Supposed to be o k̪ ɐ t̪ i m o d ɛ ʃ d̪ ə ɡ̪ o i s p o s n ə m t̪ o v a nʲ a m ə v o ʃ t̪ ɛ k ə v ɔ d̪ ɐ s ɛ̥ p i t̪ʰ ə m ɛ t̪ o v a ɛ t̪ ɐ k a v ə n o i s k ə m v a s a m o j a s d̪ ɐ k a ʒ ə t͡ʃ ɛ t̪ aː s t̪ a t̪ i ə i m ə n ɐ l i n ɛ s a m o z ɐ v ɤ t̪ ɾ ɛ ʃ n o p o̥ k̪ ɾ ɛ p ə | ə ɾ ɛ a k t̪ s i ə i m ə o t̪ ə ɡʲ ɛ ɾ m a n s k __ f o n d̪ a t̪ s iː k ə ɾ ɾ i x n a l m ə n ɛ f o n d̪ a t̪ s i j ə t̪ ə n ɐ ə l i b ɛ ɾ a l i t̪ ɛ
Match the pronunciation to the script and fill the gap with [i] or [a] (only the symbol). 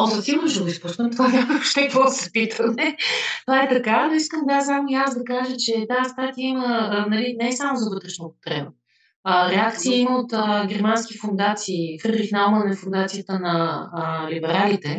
i